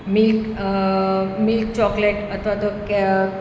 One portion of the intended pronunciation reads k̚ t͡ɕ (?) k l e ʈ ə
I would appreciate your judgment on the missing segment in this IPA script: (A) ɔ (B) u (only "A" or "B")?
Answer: A